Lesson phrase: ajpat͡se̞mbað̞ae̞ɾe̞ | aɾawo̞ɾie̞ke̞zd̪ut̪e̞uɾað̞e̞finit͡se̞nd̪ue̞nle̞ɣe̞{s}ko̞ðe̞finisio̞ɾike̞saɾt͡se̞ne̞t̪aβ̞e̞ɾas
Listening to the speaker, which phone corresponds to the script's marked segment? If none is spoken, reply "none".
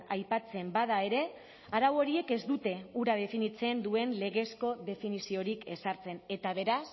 s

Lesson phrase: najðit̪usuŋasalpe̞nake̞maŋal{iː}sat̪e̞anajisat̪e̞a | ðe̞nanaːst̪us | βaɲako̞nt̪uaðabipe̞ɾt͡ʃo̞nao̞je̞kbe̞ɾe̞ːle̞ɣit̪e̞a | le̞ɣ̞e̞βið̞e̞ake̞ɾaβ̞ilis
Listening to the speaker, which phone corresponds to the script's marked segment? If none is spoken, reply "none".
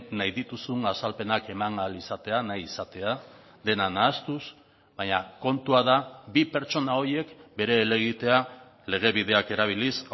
i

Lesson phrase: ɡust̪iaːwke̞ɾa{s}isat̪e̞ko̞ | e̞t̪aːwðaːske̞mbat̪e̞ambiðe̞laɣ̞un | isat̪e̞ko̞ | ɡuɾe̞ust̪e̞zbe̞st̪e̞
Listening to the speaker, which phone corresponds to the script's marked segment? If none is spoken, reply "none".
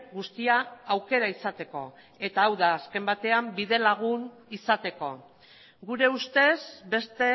none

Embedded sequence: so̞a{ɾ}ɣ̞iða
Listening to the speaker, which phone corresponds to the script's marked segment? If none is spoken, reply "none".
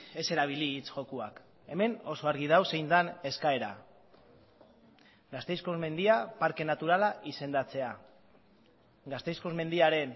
ɾ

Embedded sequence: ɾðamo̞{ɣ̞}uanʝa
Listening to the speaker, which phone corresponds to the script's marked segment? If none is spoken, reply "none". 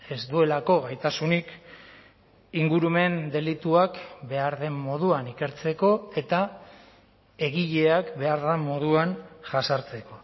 ð̞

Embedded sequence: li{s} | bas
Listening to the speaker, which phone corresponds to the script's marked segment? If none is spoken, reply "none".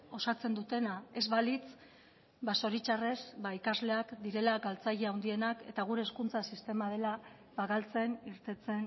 t͡s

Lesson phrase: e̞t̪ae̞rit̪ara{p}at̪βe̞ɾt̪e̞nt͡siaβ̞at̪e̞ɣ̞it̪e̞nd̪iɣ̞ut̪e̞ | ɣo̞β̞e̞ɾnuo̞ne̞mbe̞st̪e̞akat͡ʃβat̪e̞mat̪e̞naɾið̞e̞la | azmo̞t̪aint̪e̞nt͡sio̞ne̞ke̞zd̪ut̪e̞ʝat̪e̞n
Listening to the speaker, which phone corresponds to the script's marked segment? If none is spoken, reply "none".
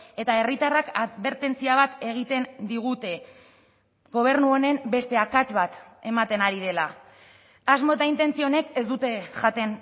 k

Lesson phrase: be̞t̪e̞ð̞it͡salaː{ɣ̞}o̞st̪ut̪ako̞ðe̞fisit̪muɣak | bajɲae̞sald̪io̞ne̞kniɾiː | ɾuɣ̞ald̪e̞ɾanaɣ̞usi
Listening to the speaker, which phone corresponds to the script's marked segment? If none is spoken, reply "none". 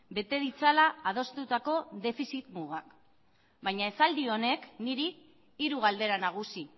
ð̞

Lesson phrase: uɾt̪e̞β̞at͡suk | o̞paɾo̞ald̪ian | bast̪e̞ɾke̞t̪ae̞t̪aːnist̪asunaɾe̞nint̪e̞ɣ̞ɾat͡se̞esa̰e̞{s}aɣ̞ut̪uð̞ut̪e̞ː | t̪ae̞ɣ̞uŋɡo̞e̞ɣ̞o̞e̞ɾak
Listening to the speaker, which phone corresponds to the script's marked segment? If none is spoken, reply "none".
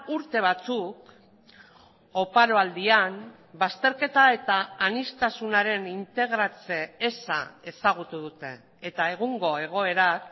s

